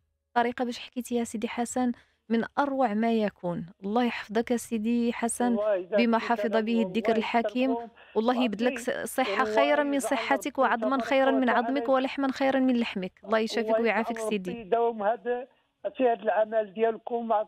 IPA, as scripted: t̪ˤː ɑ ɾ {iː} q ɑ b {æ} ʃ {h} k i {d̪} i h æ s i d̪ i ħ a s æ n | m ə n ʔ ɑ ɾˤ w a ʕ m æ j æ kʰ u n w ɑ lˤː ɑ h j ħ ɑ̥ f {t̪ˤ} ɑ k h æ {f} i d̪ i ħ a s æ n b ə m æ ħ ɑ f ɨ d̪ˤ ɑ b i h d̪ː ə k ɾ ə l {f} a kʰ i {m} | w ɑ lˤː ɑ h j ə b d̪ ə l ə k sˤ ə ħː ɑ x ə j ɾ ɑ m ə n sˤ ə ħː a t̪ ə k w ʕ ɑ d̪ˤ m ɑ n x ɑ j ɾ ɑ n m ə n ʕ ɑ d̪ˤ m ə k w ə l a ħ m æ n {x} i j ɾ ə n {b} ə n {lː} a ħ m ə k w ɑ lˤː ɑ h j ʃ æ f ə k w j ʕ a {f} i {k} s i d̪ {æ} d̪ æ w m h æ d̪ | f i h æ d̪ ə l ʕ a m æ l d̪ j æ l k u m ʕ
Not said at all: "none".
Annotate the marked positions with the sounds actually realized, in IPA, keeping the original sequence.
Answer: i, æ, ħ, t̪, d̪ˤ, s, ħ, m, x, m, l, f, k, i

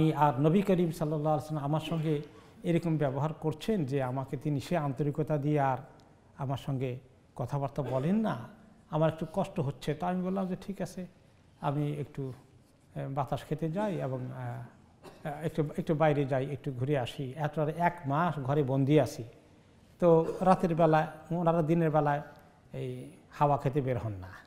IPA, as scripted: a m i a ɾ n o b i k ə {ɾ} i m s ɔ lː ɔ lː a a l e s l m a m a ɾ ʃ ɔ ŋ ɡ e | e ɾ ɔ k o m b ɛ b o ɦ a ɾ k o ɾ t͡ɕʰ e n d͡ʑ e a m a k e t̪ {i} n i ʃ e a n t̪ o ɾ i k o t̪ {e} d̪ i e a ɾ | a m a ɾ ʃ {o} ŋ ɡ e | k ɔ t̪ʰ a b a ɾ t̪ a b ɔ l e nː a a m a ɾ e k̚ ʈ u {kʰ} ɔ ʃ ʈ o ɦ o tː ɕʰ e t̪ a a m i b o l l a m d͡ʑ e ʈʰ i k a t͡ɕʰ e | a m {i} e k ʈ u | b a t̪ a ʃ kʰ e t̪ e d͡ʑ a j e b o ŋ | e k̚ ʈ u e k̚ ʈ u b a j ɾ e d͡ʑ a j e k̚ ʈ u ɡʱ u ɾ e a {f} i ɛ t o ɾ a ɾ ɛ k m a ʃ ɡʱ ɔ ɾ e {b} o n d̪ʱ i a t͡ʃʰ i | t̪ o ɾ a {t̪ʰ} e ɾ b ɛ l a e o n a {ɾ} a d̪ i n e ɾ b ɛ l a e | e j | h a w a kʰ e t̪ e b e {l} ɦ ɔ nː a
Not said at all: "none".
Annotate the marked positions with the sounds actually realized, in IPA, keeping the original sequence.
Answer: ɾ, i, a, ɔ, k, i, ʃ, b, t̪, ɾ, ɾ

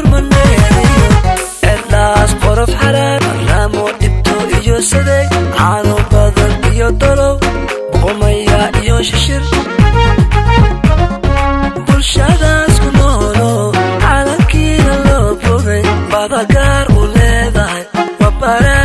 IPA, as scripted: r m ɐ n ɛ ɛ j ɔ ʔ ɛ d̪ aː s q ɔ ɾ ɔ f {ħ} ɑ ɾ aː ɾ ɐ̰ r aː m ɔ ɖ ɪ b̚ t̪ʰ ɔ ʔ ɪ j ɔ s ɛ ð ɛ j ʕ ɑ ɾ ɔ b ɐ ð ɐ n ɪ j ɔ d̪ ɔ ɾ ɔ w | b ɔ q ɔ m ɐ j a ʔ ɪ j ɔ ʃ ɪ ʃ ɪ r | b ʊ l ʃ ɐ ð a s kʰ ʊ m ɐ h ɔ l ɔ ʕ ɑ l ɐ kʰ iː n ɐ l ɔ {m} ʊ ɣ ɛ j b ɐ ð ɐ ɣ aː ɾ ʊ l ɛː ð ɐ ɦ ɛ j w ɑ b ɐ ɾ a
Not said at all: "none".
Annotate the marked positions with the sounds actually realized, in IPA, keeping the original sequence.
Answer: ħ, b

